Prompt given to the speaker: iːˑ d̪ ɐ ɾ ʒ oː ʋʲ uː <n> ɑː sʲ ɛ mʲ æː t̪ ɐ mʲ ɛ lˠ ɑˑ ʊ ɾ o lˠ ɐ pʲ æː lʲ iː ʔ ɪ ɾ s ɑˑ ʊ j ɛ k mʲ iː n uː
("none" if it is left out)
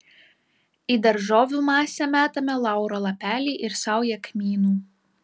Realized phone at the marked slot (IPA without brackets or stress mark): m